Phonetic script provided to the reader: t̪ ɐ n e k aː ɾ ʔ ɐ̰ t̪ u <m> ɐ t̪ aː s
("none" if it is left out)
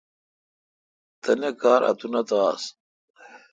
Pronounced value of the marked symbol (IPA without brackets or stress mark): n